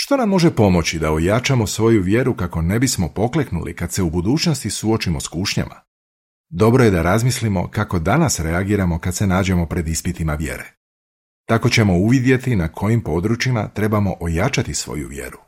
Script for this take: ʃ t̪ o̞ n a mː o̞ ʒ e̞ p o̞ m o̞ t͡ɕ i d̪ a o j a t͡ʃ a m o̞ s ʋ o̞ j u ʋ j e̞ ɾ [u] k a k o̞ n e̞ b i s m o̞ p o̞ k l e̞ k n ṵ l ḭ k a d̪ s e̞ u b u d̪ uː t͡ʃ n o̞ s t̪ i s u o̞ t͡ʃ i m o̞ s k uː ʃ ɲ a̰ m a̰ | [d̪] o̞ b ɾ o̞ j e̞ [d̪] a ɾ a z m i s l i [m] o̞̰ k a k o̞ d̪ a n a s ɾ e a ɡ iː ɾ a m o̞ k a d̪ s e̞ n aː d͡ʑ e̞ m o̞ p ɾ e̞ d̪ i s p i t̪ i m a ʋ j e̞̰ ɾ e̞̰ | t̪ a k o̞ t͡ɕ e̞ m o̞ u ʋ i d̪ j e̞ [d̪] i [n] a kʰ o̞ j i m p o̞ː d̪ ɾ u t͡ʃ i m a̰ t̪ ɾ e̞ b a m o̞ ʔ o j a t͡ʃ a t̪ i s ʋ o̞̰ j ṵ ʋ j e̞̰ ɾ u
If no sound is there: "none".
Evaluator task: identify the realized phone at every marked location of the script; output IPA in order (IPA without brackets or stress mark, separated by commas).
u, d̪, d̪, m, t̪, n